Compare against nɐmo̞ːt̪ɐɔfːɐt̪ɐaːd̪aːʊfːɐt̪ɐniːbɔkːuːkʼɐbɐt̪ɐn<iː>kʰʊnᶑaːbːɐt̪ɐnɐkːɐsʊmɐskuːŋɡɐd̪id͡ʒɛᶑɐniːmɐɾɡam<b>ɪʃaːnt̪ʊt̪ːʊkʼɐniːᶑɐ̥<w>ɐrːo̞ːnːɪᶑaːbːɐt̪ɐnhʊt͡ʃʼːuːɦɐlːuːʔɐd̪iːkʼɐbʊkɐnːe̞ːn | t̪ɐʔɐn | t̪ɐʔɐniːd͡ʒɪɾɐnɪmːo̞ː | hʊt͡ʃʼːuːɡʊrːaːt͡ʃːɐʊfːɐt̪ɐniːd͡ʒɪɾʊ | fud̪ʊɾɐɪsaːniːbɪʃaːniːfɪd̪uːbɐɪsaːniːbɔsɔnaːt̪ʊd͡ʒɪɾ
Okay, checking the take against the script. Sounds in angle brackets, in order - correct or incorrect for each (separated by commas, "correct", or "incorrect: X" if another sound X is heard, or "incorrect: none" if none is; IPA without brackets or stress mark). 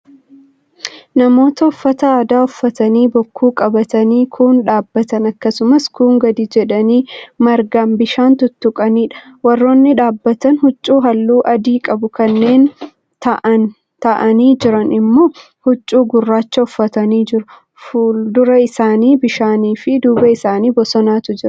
correct, correct, correct